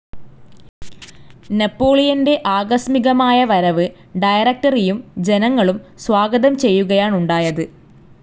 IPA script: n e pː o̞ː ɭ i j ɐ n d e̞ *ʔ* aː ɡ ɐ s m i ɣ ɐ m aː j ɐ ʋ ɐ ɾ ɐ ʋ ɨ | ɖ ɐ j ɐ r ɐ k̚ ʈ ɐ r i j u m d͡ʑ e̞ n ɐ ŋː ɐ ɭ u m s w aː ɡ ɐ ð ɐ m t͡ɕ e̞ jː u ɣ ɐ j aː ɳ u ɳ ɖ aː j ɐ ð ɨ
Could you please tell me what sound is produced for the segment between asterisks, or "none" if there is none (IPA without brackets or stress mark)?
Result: ʔ